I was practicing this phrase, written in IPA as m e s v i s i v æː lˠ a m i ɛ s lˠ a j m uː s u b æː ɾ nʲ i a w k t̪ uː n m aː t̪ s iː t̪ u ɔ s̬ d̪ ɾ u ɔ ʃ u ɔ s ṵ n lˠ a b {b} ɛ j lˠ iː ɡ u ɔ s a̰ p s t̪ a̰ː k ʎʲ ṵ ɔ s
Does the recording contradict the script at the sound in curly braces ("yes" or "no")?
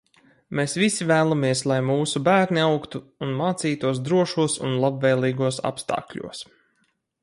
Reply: yes